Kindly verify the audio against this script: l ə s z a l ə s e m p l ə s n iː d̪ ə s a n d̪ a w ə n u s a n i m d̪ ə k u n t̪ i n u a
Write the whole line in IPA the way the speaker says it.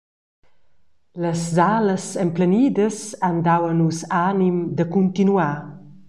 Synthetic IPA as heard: l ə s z a l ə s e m p l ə n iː d̪ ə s a n d̪ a w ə n u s a n i m d̪ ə k u n t̪ i n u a